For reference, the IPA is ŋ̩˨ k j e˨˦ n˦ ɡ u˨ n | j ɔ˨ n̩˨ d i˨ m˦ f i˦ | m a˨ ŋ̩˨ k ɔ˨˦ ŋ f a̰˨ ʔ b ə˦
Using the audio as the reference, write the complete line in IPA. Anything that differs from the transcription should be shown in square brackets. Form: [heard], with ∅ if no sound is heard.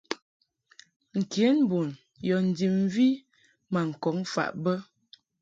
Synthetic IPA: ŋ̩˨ k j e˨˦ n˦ [b] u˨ n | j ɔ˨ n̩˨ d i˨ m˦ [v] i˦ | m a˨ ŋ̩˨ k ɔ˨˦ ŋ f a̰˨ ʔ b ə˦